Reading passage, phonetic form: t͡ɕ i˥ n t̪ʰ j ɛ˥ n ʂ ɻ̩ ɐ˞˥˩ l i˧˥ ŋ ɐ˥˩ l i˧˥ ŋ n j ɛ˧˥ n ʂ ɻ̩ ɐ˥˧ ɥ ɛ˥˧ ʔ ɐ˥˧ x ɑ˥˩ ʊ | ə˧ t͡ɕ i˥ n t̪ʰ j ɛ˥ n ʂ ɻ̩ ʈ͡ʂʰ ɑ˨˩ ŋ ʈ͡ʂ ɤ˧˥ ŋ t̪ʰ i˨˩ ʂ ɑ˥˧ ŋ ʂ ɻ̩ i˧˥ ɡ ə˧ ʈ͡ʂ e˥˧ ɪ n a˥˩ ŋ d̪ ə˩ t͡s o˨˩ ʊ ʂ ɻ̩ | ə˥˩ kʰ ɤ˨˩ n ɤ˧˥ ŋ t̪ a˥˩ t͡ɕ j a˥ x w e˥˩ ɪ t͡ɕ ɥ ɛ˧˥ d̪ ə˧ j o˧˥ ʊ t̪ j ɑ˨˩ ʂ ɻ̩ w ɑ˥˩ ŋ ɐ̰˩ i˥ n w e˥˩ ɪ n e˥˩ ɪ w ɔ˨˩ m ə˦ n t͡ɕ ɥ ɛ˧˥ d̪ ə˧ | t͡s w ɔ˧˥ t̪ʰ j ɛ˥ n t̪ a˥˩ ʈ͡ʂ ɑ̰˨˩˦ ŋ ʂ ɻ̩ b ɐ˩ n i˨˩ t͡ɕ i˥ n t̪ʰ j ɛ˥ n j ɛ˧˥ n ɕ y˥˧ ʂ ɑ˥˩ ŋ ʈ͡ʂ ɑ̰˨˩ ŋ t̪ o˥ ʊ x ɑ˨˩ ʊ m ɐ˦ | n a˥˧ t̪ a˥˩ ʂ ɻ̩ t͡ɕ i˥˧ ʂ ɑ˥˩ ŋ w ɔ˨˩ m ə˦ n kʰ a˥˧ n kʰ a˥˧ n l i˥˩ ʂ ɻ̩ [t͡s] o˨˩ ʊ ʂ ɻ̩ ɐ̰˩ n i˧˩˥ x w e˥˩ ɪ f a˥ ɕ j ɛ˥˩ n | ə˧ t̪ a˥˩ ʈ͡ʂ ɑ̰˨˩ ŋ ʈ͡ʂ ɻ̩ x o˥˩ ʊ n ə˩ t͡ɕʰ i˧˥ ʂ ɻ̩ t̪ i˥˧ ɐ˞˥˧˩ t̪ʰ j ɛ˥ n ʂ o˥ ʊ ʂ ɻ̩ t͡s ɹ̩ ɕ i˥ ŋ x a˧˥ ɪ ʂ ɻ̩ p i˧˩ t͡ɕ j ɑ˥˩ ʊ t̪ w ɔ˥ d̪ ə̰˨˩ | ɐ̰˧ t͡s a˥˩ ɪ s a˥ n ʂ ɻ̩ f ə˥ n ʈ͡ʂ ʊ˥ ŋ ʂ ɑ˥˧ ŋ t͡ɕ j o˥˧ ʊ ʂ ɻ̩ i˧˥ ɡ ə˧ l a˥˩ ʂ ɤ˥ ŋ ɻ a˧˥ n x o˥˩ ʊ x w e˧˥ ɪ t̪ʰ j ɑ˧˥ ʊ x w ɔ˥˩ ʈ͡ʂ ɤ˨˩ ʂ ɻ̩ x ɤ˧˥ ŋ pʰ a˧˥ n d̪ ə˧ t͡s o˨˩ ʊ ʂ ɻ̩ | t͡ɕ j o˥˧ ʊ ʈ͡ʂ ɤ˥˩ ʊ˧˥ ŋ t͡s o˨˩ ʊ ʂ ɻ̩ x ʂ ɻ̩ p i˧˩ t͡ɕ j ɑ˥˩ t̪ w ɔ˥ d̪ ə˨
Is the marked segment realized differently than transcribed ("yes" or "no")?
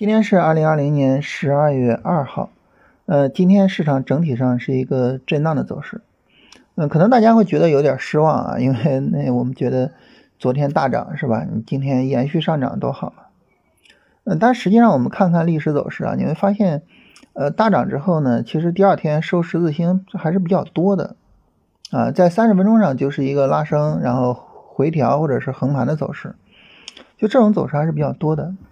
no